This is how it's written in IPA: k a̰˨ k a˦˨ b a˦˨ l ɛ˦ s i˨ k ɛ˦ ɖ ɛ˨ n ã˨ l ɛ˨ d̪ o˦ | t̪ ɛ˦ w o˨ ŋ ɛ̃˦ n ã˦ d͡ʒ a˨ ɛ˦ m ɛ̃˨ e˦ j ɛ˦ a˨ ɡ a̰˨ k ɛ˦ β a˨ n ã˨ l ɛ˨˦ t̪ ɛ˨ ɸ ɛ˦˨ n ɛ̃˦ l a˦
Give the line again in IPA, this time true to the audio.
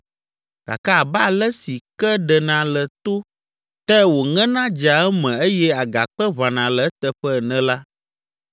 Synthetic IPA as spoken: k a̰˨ k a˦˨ b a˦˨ l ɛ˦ s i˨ k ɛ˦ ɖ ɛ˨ n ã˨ l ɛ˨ t̪ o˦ | t̪ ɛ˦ w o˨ ŋ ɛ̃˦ n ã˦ d͡ʒ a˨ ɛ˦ m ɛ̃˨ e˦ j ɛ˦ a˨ ɡ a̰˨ k͡p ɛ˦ β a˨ n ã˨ l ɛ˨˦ t̪ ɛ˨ ɸ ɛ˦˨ n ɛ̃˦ l a˦

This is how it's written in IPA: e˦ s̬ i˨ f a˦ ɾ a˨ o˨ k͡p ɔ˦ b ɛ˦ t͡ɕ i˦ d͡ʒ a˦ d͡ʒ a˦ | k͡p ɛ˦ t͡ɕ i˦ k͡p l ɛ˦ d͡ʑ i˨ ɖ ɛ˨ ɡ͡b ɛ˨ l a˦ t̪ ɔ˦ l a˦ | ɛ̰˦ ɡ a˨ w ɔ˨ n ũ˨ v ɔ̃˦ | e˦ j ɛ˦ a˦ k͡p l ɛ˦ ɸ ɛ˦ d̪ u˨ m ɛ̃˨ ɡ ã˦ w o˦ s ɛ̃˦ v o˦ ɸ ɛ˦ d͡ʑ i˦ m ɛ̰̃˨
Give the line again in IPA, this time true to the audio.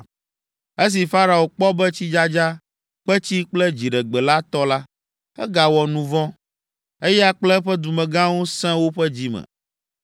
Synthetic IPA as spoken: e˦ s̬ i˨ f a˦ ɾ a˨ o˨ k͡p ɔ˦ b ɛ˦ t͡ɕ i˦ d͡ʒ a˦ d͡ʒ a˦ | k͡p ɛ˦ t͡ɕ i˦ k͡p l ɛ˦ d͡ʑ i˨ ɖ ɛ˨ ɡ͡b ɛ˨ l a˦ t̪ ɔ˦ l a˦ | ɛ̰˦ ɡ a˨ w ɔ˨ n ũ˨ v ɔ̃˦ | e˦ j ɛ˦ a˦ k͡p l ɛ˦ ɸ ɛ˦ d̪ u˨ m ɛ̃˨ ɡ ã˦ w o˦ s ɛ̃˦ w o˦ ɸ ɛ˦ d͡ʑ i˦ m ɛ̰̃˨

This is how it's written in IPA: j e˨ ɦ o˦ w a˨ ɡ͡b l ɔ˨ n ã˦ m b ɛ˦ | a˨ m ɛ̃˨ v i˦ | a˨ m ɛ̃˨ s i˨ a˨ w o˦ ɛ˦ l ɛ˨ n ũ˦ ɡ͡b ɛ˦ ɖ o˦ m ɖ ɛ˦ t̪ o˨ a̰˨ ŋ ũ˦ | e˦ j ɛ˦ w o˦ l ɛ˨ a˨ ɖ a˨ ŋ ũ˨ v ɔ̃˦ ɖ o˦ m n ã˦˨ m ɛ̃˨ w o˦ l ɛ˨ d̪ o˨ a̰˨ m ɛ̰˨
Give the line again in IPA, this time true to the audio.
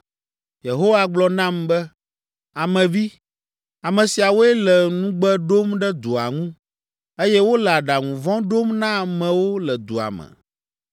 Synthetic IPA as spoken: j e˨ ɦ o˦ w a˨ ɡ͡b l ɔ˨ n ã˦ m b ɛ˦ | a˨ m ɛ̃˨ v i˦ | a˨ m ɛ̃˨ s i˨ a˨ w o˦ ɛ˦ l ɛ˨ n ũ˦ ɡ͡b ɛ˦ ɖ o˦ m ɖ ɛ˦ d̪ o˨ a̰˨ ŋ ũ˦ | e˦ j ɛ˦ w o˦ l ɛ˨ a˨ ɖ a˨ ŋ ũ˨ v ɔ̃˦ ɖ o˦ m n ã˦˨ m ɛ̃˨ w o˦ l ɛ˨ d̪ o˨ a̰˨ m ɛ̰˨

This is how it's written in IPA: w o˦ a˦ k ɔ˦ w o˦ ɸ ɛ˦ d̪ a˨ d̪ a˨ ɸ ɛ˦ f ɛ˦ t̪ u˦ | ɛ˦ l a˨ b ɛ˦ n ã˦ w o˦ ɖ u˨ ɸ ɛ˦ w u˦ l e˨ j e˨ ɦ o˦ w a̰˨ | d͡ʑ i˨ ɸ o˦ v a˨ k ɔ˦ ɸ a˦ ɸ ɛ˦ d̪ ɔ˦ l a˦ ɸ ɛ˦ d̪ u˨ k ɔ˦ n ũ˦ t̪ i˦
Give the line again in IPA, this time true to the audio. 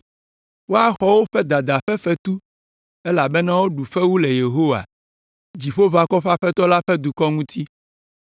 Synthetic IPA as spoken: w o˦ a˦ x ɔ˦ w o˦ ɸ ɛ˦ d̪ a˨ d̪ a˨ ɸ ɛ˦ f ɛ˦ t̪ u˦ | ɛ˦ l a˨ b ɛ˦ n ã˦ w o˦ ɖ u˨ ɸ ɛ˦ w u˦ l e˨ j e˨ ɦ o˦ w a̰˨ | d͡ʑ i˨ ɸ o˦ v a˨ k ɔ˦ ɸ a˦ ɸ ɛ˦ t̪ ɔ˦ l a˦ ɸ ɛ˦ d̪ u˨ k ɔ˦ ŋ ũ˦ t̪ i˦

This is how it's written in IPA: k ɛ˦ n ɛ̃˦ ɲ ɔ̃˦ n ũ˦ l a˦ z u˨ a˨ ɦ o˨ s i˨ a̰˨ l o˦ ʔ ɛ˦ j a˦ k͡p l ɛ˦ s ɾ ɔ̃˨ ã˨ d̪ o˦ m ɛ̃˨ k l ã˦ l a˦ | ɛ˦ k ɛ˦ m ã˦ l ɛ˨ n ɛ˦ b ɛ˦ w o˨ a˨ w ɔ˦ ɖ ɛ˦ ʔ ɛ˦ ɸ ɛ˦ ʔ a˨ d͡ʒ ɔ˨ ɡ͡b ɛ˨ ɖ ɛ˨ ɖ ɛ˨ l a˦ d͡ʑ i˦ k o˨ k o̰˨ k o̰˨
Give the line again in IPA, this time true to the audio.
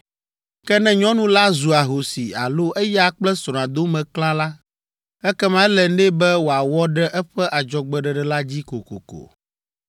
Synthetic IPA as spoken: k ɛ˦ n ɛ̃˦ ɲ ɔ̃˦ n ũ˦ l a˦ z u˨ a˨ ɦ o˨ s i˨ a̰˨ l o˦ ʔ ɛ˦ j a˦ k͡p l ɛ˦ s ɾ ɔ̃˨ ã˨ d̪ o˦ m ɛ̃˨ k l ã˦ l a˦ | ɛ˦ k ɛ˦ m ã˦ l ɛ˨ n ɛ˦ b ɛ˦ w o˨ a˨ w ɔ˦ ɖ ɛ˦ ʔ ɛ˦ ɸ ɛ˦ ʔ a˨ d͡ʒ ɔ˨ ɡ͡b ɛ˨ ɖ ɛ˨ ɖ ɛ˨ l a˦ d͡ʑ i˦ k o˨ k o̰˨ k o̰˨

